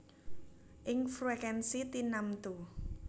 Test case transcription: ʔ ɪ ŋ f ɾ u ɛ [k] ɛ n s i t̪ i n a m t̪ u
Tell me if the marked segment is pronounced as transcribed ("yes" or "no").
yes